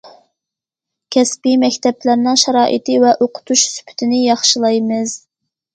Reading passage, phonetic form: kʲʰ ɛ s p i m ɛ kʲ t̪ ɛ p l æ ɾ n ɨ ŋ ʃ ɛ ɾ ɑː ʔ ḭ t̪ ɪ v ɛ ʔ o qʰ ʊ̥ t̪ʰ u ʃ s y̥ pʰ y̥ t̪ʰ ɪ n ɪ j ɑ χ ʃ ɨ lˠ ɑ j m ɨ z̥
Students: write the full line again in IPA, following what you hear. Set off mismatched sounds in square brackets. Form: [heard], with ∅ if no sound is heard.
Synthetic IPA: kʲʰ ɛ s p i m ɛ kʲ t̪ ɛ p l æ ɾ n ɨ ŋ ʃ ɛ ɾ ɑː ʔ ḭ t̪ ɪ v ɛ ʔ o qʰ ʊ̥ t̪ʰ u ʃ s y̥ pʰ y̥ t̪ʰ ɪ n ɪ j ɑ χ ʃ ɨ lˠ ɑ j m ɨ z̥